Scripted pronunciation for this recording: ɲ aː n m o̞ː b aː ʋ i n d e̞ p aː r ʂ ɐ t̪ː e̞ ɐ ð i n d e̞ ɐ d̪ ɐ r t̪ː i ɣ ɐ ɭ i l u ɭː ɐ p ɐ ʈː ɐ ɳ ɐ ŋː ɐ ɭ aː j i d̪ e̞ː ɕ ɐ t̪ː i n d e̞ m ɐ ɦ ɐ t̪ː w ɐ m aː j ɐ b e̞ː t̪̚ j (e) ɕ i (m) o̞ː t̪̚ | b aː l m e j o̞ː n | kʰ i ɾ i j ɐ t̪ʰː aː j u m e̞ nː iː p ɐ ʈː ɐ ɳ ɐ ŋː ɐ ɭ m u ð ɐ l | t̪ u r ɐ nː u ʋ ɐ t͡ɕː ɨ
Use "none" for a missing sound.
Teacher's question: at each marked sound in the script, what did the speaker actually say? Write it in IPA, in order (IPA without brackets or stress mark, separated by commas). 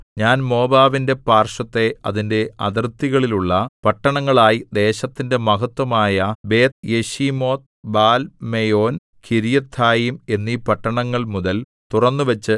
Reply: e, m